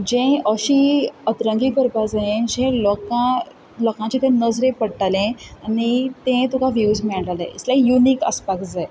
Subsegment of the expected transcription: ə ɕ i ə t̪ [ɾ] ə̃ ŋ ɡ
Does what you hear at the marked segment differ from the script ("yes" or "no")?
no